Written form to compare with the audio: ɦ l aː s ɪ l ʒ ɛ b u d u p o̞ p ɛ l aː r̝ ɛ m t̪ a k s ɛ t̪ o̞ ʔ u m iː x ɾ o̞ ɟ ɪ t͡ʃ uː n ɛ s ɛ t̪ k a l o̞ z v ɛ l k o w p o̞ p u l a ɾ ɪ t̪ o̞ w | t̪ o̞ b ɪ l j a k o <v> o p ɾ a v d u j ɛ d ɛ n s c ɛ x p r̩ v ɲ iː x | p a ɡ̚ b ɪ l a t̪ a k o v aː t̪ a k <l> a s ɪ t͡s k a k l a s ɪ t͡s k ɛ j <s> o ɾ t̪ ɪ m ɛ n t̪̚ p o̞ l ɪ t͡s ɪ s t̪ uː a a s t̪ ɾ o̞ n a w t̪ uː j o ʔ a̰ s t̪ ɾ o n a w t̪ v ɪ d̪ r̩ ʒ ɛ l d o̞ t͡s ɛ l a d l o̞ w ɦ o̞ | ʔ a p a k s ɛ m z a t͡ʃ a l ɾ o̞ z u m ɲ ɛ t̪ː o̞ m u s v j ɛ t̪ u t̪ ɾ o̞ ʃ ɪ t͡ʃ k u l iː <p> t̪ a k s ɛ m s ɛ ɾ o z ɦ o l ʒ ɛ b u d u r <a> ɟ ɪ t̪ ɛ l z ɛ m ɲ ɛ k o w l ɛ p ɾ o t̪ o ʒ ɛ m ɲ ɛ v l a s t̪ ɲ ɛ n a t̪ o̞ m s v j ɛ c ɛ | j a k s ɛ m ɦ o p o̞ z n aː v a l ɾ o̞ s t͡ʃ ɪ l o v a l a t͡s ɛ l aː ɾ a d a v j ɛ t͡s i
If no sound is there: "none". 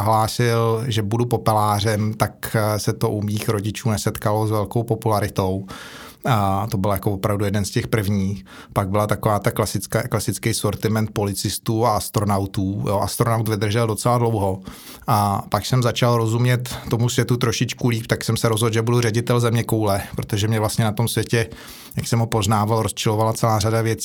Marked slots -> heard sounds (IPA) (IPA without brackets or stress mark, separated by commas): v, l, s, p, ɛ